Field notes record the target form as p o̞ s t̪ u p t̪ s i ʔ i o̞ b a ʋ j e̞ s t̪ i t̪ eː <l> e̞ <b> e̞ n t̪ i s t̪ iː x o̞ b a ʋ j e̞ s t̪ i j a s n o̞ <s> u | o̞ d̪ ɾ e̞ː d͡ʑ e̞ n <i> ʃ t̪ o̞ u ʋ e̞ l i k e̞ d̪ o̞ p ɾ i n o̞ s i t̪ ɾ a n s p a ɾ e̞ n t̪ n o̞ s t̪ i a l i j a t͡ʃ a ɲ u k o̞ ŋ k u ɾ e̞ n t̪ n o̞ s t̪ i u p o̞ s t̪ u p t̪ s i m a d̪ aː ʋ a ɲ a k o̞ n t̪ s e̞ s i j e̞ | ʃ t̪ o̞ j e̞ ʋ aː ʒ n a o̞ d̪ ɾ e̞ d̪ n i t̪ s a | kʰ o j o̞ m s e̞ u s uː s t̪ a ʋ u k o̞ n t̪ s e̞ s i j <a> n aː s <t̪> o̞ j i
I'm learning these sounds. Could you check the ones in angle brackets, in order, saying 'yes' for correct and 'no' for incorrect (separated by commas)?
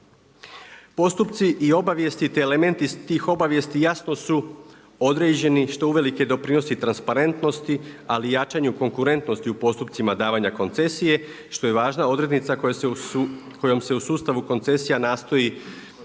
yes, no, yes, yes, yes, yes